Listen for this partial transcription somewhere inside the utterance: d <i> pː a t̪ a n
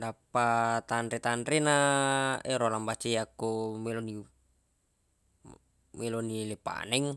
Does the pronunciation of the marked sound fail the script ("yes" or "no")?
yes